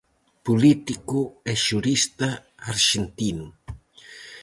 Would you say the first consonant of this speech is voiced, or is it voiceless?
voiceless